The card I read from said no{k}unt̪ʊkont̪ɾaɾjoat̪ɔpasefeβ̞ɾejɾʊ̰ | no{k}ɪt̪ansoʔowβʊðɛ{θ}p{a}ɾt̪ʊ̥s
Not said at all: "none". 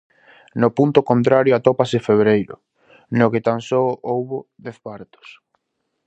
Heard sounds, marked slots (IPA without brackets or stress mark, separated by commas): p, k, θ, a